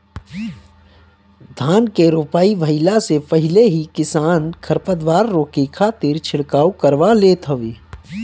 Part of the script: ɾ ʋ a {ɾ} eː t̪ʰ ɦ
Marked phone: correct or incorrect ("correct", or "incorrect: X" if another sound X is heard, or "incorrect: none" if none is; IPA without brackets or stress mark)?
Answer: incorrect: l